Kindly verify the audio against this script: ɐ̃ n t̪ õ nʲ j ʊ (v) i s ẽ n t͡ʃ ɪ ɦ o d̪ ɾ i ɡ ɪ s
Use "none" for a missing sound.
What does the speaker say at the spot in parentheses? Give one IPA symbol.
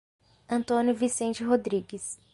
v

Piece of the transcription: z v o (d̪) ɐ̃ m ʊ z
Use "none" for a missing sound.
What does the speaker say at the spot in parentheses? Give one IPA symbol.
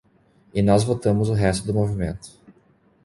t̪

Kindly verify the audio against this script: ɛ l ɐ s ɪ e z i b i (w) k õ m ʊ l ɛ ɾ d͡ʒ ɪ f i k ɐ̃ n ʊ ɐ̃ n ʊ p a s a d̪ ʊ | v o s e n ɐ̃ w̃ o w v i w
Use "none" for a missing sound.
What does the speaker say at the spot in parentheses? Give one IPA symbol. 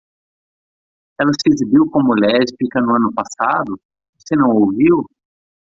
w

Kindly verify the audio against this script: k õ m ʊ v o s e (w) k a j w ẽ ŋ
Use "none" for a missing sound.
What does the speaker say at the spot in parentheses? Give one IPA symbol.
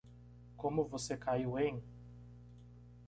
none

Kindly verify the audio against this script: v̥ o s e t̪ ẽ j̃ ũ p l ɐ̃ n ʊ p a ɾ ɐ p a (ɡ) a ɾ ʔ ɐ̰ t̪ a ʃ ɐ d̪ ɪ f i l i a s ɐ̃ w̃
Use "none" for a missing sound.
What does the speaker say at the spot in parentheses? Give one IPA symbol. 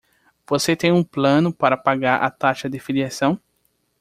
ɡ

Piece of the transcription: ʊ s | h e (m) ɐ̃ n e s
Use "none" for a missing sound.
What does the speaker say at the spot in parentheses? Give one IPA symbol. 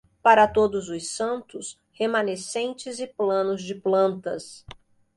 m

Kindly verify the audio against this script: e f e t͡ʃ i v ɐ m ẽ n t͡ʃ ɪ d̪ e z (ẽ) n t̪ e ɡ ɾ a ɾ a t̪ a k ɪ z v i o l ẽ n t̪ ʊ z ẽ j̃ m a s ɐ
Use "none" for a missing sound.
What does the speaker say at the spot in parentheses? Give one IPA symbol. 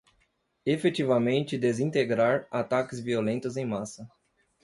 ĩ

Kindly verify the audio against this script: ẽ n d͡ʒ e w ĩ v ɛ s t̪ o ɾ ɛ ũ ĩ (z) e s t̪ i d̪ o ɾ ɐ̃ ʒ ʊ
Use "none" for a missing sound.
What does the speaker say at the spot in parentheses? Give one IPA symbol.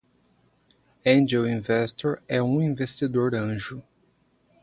v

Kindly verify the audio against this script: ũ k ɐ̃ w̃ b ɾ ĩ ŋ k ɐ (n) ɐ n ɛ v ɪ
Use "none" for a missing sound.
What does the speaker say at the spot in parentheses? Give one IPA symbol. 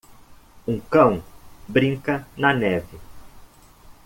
n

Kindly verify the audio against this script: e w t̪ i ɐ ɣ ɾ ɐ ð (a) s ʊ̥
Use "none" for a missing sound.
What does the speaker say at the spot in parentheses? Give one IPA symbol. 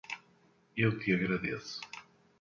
e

